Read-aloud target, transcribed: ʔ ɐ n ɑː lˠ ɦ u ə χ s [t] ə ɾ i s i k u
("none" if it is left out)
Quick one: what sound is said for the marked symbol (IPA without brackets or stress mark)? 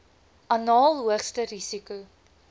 t